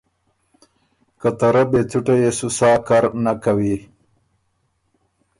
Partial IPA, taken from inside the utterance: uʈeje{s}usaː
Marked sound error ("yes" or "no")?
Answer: no